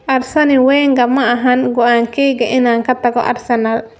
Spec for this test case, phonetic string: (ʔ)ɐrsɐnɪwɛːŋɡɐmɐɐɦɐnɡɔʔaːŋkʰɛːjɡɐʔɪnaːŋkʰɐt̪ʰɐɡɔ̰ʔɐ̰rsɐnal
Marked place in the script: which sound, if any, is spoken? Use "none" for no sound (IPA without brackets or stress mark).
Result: ʔ